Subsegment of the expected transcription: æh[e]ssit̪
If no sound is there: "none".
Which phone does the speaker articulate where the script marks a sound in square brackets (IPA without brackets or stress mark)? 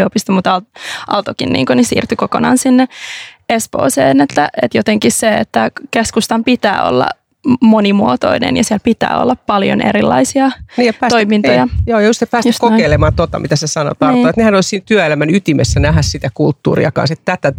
æ